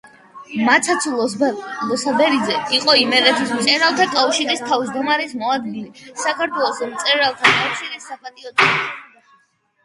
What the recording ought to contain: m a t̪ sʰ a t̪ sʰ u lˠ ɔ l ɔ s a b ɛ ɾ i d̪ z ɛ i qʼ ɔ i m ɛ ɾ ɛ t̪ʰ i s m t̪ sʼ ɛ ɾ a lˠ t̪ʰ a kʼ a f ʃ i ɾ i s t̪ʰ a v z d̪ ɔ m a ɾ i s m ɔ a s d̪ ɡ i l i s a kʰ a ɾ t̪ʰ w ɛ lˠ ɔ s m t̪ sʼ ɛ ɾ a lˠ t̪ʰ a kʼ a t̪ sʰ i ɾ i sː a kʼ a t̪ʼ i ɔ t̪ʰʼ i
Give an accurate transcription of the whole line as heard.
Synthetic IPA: m a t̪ sʰ a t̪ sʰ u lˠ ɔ l ɔ s a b ɛ ɾ i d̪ z ɛ i qʼ ɔ i m ɛ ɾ ɛ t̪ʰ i s m t̪ sʼ ɛ ɾ a lˠ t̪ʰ a kʼ a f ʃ i ɾ i s t̪ʰ a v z d̪ ɔ m a ɾ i s m ɔ a d̪ ɡ i l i s a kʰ a ɾ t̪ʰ w ɛ lˠ ɔ s m t̪ sʼ ɛ ɾ a lˠ t̪ʰ a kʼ a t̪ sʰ i ɾ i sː a pʼ a t̪ʼ i ɔ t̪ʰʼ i